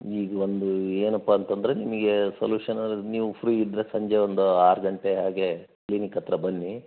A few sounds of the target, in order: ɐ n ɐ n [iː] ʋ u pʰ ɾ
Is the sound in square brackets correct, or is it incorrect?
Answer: correct